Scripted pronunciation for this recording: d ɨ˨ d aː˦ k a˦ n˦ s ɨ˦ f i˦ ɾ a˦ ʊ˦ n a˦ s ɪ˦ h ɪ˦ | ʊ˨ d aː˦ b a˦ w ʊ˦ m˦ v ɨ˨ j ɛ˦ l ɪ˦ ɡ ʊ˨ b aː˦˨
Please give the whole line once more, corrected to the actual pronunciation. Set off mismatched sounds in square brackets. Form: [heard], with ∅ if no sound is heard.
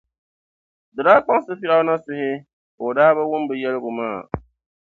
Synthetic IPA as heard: d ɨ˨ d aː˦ [k͡p] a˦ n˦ s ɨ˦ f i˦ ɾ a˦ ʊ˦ n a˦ s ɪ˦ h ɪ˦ | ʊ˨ d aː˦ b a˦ w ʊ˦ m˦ [b] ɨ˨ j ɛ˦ l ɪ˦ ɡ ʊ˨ [m] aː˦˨